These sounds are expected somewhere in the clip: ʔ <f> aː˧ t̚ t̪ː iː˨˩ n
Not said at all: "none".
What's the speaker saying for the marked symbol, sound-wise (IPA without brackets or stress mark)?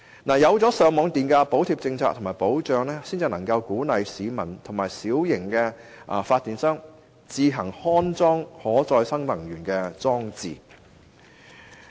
f